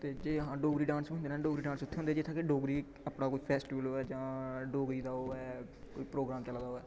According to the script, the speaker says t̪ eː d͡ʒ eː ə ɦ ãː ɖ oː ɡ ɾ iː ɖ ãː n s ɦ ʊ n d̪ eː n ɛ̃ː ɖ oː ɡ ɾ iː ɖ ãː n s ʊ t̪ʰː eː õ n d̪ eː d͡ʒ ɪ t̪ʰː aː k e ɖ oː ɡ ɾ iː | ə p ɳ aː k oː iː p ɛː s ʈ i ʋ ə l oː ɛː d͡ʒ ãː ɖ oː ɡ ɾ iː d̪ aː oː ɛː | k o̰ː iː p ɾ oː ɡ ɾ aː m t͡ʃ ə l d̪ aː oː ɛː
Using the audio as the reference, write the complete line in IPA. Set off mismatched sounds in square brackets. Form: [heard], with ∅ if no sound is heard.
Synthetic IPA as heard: t̪ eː d͡ʒ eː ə ɦ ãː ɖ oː ɡ ɾ iː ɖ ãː n s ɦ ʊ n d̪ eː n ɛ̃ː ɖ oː ɡ ɾ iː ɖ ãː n s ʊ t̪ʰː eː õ n d̪ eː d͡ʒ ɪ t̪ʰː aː k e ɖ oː ɡ ɾ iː | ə p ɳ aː k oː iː [pʰ] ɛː s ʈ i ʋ ə l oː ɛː d͡ʒ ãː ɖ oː ɡ ɾ iː d̪ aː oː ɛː | k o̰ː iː p ɾ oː ɡ ɾ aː m t͡ʃ ə l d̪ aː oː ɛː